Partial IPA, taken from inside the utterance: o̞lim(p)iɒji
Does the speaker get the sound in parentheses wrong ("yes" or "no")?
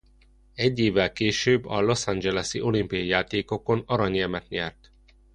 no